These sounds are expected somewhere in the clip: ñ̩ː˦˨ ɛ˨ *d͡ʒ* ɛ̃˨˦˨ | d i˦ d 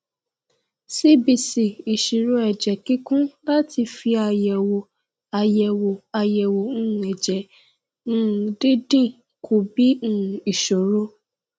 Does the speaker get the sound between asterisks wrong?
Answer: no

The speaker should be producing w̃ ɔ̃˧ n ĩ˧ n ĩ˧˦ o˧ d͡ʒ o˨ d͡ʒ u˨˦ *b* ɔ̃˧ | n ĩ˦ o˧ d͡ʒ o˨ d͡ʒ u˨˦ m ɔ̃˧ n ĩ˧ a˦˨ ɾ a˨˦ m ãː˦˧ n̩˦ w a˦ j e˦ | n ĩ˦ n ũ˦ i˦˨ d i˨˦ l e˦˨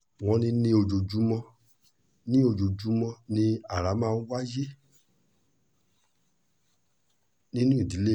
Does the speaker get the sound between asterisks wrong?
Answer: yes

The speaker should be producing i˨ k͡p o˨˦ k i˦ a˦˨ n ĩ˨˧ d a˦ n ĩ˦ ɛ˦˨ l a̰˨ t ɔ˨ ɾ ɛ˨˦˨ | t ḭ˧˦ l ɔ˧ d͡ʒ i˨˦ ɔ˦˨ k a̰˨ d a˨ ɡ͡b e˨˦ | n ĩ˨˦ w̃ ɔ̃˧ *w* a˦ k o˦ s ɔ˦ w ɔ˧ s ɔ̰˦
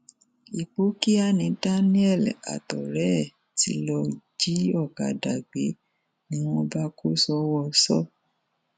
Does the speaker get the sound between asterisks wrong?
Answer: yes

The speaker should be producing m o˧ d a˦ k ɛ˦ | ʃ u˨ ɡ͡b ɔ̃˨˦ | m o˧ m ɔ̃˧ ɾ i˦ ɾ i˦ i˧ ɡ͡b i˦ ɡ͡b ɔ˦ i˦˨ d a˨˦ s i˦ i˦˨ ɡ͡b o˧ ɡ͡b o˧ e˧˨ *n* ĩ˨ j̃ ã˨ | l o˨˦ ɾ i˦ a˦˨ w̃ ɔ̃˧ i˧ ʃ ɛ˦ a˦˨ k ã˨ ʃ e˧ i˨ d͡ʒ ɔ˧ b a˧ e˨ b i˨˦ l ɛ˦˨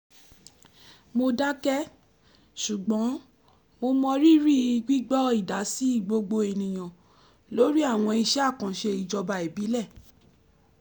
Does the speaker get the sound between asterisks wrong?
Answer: no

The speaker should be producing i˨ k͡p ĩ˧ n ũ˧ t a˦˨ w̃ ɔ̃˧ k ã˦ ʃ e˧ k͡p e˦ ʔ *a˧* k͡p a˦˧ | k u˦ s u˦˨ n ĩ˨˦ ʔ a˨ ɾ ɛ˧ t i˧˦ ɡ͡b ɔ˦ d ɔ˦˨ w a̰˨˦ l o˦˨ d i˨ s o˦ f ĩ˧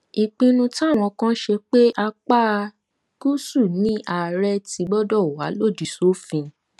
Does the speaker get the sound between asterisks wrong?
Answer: no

